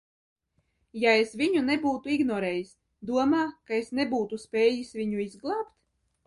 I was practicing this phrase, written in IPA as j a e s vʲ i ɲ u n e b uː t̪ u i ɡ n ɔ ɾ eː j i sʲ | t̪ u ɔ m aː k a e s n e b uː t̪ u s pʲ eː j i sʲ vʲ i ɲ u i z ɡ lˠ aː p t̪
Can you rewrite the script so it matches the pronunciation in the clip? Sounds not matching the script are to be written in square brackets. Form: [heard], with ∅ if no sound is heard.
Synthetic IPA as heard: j a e s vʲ i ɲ u n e b uː t̪ u i ɡ n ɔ ɾ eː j i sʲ | [d̪] u ɔ m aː k a e s n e b uː t̪ u s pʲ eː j i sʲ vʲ i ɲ u i z ɡ lˠ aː p t̪